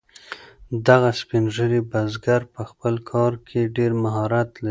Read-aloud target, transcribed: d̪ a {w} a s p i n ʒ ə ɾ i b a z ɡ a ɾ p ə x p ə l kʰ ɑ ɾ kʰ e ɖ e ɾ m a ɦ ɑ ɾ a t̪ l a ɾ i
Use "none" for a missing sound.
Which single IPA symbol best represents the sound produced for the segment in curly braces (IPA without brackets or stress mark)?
ɣ